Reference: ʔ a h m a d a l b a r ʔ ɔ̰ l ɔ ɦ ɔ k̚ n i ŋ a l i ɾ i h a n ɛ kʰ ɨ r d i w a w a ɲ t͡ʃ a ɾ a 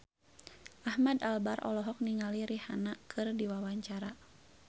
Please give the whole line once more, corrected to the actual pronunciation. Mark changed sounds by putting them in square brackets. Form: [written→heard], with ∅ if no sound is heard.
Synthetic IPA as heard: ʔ a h m a d a l b a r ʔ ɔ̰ l ɔ ɦ ɔ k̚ n i ŋ a l i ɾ i h a n [ɛ→a] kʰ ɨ r d i w a w a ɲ t͡ʃ a ɾ a